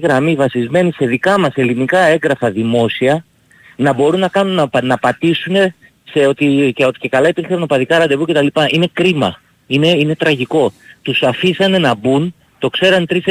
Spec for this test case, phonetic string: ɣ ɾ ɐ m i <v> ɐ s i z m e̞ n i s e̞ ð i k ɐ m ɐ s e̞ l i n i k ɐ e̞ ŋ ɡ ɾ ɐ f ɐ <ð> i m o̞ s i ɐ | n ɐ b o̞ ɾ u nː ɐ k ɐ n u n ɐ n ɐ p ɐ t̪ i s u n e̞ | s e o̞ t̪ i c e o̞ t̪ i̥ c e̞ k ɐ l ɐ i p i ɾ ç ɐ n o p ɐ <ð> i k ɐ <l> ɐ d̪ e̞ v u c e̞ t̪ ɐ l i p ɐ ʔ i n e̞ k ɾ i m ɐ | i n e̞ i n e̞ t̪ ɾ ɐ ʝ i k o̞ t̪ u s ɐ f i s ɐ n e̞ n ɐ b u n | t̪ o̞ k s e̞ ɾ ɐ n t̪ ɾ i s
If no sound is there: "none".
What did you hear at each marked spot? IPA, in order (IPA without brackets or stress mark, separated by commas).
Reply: v, ð, ð, ɾ